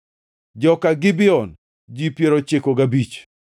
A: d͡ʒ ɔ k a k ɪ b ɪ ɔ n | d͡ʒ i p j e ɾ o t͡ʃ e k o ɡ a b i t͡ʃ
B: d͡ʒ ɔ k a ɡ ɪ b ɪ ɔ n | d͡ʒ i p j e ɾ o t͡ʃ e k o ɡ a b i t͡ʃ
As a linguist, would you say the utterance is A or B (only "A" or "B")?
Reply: B